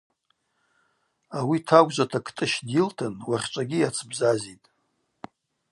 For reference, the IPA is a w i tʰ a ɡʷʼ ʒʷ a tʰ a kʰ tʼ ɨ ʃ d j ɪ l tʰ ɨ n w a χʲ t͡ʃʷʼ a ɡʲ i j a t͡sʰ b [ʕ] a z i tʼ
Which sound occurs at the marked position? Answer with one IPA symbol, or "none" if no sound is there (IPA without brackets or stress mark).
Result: z